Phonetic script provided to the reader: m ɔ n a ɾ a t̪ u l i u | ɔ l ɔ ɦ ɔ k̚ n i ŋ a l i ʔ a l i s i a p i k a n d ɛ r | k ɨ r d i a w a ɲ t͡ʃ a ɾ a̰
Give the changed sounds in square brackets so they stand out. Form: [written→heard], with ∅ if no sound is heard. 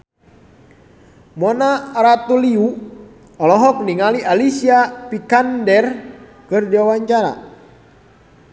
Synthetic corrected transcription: m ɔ n a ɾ a t̪ u l i u | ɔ l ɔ ɦ ɔ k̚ n i ŋ a l i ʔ a l i s i a p i k a n d ɛ r | k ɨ r d i a w a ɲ t͡ʃ a ɾ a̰